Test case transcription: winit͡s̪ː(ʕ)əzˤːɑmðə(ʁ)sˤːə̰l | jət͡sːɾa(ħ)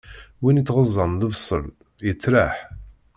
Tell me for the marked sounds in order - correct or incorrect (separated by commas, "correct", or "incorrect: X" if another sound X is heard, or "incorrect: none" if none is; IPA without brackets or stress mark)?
incorrect: ʁ, incorrect: v, correct